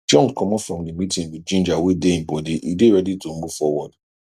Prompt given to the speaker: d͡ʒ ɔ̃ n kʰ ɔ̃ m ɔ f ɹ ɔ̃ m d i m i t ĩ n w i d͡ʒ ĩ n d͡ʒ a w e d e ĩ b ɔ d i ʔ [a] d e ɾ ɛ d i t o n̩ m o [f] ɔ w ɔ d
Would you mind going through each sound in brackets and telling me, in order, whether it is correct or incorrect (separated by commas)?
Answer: incorrect, correct